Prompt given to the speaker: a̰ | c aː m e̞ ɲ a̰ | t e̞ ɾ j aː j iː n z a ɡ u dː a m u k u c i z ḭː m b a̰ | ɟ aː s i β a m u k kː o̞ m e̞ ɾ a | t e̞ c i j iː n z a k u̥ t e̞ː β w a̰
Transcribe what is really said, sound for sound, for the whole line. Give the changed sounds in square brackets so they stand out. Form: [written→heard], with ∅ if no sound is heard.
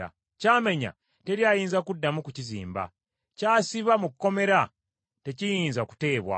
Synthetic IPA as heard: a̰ | c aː m e̞ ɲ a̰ | t e̞ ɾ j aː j iː n z a [ɡ→k] u dː a m u k u c i z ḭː m b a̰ | [ɟ→c] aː s i β a m u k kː o̞ m e̞ ɾ a | t e̞ c i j iː n z a k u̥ t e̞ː β w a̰